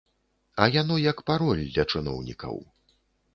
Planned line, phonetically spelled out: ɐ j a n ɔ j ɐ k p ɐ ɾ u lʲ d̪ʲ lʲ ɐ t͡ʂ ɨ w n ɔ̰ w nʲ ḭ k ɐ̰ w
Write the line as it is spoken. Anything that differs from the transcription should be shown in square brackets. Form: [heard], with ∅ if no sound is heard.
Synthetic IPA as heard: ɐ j a n ɔ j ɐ k p [a] ɾ [ɔ] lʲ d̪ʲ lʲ ɐ t͡ʂ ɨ [∅] n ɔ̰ w nʲ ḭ k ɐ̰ w